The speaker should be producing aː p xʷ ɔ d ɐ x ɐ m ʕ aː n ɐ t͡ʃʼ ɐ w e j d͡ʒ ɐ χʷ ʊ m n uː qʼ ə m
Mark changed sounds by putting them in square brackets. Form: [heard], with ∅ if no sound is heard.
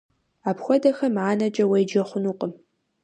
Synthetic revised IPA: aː p xʷ ɔ d ɐ x ɐ m ʕ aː n ɐ t͡ʃʼ ɐ w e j d͡ʒ ɐ χʷ ʊ [∅] n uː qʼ ə m

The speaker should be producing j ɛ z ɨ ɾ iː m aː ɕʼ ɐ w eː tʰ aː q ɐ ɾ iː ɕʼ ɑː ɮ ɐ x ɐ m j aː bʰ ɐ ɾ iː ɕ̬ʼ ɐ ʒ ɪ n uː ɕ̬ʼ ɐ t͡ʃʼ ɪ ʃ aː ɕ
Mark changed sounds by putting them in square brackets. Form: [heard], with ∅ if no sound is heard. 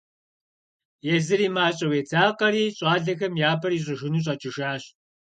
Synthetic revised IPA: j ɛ z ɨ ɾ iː m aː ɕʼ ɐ w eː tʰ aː q ɐ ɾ iː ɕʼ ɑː ɮ ɐ x ɐ m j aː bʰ ɐ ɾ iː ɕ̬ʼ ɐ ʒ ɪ n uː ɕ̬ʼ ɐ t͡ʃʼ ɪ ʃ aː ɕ

